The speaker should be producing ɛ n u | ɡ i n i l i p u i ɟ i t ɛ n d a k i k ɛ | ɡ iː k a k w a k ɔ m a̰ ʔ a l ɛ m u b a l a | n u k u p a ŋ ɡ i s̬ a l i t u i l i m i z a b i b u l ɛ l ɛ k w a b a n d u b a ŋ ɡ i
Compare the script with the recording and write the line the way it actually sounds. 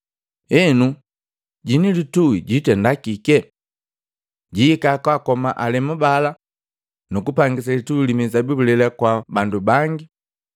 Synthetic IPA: ɛ n u | ɟ i n i l i t u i ɟ i t ɛ n d a k i k ɛ | ɟ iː k a k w a k ɔ m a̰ ʔ a l ɛ m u b a l a | n u k u p a ŋ ɡ i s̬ a l i t u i l i m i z a b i b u l ɛ l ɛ k w a b a n d u b a ŋ ɡ i